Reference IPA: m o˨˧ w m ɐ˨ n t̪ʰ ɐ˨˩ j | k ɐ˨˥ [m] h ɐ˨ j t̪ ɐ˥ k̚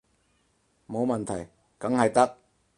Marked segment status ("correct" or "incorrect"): incorrect